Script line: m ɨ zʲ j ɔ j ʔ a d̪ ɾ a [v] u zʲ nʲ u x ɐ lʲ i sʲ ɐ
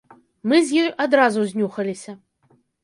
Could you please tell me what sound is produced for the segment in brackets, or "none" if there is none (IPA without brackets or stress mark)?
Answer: z